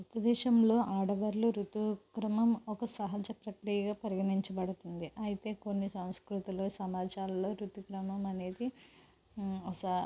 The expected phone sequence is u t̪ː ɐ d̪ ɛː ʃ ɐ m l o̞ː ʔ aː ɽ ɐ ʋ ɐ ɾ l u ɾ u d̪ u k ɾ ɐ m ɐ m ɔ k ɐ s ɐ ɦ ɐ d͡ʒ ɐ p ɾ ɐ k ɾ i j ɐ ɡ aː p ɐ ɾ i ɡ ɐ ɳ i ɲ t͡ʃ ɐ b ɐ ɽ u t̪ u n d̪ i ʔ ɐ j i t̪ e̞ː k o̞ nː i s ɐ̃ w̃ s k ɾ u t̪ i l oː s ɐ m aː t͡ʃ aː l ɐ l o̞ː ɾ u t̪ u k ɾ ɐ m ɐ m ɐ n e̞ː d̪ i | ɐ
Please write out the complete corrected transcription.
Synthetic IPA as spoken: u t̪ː ɐ d̪ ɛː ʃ ɐ m l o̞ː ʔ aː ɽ ɐ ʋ ɐ ɾ l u ɾ u t̪ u k ɾ ɐ m ɐ m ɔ k ɐ s ɐ ɦ ɐ d͡ʒ ɐ p ɾ ɐ k ɾ i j ɐ ɡ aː p ɐ ɾ i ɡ ɐ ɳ i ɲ t͡ʃ ɐ b ɐ ɽ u t̪ u n d̪ i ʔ ɐ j i t̪ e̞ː k o̞ nː i s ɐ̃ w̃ s k ɾ u t̪ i l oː s ɐ m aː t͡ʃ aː l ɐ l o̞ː ɾ u t̪ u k ɾ ɐ m ɐ m ɐ n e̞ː d̪ i | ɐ